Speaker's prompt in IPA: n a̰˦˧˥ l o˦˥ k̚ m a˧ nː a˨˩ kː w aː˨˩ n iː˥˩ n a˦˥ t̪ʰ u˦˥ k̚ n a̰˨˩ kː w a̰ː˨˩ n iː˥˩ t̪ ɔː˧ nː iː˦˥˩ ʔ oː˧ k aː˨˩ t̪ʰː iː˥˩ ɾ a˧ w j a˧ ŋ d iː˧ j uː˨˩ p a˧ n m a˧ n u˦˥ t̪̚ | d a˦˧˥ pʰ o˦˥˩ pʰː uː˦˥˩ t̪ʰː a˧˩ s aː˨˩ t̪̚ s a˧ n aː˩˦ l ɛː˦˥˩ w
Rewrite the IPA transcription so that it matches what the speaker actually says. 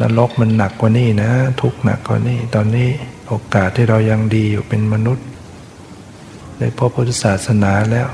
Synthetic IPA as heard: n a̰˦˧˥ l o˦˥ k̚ m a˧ nː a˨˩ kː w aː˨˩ n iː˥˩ n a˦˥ t̪ʰ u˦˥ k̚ n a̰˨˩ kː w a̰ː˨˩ n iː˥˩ t̪ ɔː˧ nː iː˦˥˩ ʔ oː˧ k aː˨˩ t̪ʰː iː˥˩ ɾ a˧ w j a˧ ŋ d iː˧ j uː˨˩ p e˧ n m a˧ n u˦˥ t̪̚ | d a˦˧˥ pʰ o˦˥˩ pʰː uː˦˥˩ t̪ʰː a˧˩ s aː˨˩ t̪̚ s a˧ n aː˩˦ l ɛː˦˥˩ w